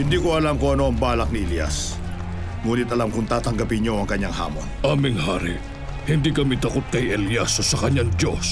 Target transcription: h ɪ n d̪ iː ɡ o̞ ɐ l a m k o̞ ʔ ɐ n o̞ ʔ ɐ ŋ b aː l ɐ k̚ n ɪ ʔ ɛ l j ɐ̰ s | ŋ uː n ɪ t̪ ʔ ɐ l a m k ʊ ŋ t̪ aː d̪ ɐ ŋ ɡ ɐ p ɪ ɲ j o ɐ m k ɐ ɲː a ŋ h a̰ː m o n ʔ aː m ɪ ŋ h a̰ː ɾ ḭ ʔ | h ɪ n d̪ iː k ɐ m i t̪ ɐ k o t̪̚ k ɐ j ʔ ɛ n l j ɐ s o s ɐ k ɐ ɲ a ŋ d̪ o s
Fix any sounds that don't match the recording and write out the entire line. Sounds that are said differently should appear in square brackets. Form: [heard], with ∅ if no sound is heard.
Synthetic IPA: h ɪ n d̪ iː [k] o̞ ɐ l a m k o̞ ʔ ɐ n o̞ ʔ ɐ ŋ b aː l ɐ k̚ n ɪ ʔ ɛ l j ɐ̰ s | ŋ uː n ɪ t̪ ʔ ɐ l a m k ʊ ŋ t̪ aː [t̪] ɐ ŋ ɡ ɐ p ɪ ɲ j o ɐ [ŋ] k ɐ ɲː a ŋ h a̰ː m o n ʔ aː m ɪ ŋ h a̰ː ɾ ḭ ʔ | h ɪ n d̪ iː k ɐ m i t̪ ɐ k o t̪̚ k ɐ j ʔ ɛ [∅] l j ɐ s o s ɐ k ɐ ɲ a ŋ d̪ o s